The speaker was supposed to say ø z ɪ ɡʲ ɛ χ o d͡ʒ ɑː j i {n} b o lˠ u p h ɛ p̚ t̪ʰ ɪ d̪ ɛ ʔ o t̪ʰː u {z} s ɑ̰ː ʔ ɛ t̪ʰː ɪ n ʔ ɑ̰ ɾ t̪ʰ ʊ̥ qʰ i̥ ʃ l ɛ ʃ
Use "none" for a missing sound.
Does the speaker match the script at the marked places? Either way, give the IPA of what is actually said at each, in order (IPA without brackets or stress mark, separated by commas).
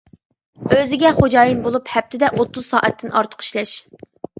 n, z